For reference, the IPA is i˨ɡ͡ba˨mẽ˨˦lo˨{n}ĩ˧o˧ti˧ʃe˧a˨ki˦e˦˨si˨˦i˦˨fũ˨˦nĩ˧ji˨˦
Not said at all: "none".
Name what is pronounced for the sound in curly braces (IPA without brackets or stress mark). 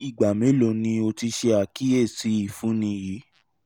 n